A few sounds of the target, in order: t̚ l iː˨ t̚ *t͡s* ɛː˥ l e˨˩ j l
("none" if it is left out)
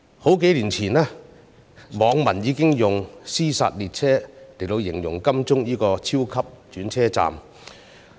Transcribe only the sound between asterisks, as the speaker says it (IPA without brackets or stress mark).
t͡sʰ